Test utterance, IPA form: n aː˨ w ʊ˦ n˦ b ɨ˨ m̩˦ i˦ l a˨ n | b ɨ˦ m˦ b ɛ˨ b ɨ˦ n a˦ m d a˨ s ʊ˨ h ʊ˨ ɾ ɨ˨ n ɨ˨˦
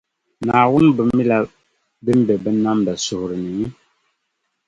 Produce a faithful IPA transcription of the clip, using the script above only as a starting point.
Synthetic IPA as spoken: n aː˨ w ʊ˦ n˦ b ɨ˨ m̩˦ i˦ l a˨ | b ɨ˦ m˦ b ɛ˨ b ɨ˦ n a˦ m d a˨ s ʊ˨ h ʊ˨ ɾ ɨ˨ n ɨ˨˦